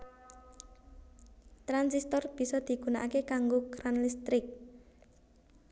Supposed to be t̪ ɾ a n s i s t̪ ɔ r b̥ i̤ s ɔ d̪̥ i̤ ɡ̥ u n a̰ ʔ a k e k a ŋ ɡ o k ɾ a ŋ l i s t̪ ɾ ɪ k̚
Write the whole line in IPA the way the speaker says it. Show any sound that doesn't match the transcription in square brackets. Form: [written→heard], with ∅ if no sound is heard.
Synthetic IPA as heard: t̪ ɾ a n s i s t̪ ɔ r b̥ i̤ s ɔ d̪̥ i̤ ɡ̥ u n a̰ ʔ a k e k a ŋ ɡ o k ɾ a [ŋ→n] l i s t̪ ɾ ɪ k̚